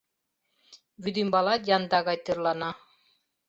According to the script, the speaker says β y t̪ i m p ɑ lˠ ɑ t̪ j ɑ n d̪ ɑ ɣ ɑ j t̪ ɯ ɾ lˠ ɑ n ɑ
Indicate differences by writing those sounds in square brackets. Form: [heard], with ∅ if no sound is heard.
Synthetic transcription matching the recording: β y [d̪] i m [b] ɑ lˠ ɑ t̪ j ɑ n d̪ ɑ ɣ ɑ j t̪ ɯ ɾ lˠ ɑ n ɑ

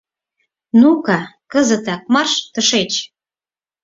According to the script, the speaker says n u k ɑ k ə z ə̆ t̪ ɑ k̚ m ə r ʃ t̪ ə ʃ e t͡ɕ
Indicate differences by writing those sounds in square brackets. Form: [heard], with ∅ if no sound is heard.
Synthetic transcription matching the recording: n u k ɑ k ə z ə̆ t̪ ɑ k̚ m [ɑ] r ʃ t̪ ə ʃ e t͡ɕ

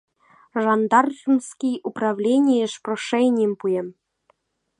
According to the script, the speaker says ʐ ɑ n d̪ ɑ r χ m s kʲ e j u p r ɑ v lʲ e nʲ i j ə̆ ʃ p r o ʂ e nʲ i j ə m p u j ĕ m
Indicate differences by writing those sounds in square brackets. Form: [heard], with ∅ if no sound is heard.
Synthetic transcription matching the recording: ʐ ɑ n d̪ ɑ r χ m s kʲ [i] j u p r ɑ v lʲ e nʲ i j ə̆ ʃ p r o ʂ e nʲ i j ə m p u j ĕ m

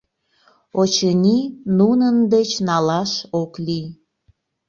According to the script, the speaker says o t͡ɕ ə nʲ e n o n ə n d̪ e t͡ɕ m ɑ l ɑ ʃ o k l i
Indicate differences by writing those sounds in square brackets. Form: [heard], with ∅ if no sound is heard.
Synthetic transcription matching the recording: o t͡ɕ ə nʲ [i] n [u] n ə n d̪ e t͡ɕ [n] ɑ l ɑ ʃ o k l i

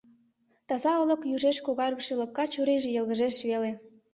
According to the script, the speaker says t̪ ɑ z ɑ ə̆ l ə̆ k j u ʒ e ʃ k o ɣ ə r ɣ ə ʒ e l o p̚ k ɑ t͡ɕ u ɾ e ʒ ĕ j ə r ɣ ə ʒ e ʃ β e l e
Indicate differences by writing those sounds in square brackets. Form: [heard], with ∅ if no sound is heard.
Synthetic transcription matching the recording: t̪ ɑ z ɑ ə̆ l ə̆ k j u ʒ e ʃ k o ɣ [ɑ] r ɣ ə [ʃ] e l o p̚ k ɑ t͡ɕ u ɾ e ʒ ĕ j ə [l] ɣ ə ʒ e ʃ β e l e

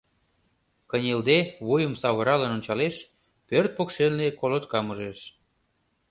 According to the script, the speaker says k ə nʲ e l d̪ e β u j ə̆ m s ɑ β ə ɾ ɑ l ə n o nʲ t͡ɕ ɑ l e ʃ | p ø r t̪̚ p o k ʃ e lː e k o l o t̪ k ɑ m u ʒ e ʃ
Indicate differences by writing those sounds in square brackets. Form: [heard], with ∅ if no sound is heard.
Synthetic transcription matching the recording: k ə nʲ e l d̪ e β u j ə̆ m s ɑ β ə ɾ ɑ l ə n o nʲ t͡ɕ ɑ l e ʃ | p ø r t̪̚ p o k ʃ e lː e k o l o t̪ k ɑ m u ʒ e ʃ

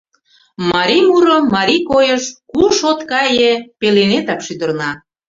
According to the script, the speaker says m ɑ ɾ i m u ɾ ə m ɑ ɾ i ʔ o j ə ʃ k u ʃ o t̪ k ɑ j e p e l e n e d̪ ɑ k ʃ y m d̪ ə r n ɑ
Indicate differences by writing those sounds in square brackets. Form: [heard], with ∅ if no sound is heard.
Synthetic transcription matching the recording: m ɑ ɾ i m u ɾ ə m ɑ ɾ i [k] o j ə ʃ k u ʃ o t̪ k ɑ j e p e l e n e [t̪] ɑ k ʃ y [∅] d̪ ə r n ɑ

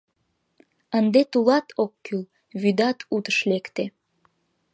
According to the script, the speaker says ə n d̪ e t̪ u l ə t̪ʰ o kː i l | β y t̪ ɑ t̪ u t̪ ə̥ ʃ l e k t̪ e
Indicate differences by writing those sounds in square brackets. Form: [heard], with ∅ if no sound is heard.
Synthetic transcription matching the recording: ə n d̪ e t̪ u l [ɑ] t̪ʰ o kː [y] l | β y [d̪] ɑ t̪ u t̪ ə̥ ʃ l e k t̪ e

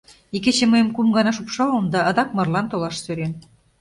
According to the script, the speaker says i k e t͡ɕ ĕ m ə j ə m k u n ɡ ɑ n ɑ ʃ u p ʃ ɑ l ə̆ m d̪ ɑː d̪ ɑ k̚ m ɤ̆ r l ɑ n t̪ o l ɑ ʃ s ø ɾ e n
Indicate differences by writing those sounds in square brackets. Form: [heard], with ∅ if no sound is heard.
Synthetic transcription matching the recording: i k e t͡ɕ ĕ m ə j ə m k u [m] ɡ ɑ n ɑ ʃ u p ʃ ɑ l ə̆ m d̪ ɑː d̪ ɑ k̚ m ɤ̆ r l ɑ n t̪ o l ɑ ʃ s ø ɾ e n

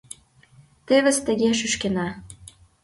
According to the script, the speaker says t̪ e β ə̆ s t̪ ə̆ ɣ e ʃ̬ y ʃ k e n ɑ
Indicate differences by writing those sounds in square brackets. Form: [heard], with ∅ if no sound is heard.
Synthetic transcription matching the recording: t̪ e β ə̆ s t̪ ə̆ ɣ e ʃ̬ y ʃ k e n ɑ

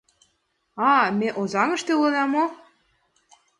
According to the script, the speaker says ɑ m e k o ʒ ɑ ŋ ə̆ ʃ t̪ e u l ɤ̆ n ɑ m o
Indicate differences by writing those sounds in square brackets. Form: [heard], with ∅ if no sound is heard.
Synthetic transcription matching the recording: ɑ m e [ʔ] o [z] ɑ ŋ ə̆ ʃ t̪ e u l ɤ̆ n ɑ m o

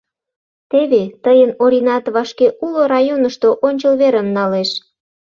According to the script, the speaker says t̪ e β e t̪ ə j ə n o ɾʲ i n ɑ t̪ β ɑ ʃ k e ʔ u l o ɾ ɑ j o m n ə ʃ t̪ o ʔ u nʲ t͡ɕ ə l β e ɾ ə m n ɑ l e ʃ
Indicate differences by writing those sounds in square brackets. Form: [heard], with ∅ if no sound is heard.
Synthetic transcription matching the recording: t̪ e β e t̪ ə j ə n o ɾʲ i n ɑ t̪ β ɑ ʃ k e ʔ u l o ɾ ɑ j o [∅] n ə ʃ t̪ o ʔ [o] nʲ t͡ɕ ə l β e ɾ ə m n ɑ l e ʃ

